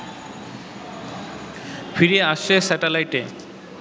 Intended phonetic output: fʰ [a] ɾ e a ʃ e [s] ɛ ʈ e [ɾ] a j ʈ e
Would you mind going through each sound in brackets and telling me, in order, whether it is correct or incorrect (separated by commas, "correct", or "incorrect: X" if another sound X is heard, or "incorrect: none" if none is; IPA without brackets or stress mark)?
incorrect: i, correct, incorrect: l